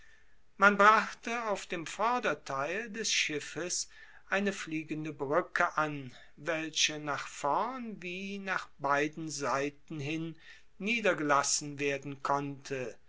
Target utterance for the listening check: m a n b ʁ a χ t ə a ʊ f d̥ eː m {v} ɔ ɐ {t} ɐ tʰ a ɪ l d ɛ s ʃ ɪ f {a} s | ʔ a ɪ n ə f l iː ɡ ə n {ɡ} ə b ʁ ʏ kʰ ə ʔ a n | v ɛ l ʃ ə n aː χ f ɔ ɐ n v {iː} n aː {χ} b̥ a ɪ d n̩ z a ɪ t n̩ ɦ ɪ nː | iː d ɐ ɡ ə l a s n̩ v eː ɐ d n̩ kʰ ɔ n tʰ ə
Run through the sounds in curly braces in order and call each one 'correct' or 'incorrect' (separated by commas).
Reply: incorrect, incorrect, incorrect, incorrect, correct, correct